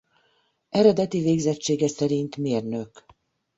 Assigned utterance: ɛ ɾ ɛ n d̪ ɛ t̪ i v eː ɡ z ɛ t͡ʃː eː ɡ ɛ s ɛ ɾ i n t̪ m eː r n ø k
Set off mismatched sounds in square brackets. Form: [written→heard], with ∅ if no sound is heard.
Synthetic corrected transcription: ɛ ɾ ɛ [n→∅] d̪ ɛ t̪ i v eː ɡ z ɛ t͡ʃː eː ɡ ɛ s ɛ ɾ i n t̪ m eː r n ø k